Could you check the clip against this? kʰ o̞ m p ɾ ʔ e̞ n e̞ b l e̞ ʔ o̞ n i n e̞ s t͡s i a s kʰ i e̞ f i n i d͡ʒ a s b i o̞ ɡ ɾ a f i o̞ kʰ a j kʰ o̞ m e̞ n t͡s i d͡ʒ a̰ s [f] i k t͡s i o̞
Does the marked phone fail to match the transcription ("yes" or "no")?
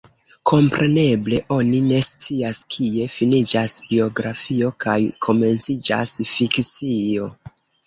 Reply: no